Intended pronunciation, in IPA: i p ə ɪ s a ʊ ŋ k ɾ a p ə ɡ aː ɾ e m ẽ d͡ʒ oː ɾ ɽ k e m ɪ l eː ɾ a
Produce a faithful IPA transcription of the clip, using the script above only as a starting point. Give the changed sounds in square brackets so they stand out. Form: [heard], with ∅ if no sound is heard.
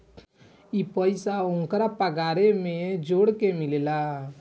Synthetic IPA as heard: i p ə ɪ s a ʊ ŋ k ɾ a p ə ɡ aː ɾ e m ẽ d͡ʒ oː [∅] ɽ k e m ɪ l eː [l] a